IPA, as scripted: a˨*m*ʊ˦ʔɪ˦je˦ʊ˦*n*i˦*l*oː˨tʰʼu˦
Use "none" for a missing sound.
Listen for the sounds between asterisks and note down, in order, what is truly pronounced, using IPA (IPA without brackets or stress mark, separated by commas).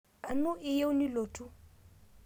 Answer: n, n, l